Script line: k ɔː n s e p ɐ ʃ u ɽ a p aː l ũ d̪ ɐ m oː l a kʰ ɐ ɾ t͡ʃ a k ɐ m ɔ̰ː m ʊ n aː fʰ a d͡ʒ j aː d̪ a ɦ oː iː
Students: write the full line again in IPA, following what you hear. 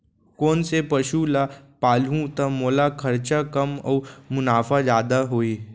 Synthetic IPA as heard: k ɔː n s e p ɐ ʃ u l a p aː l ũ t̪ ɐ m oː l a kʰ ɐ ɾ t͡ʃ a k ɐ m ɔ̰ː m ʊ n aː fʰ a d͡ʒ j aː d̪ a ɦ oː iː